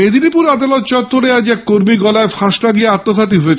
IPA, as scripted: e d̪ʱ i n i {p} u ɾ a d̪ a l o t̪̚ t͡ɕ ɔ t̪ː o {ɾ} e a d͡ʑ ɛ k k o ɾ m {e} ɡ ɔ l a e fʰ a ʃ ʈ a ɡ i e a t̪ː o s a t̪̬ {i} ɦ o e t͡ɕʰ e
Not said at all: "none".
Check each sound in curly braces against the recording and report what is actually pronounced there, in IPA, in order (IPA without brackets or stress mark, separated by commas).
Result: p, ɾ, i, i